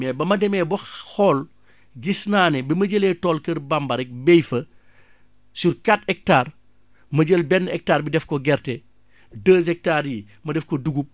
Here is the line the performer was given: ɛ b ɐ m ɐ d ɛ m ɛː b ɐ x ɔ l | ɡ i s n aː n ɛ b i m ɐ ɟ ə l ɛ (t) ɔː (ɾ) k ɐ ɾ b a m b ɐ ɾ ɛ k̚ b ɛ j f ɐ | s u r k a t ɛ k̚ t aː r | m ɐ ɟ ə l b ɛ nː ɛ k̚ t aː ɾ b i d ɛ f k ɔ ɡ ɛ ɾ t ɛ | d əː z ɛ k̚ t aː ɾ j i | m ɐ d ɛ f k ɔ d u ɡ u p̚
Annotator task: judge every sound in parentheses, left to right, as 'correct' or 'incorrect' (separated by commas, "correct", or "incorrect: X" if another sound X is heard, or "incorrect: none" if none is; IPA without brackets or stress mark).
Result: correct, incorrect: l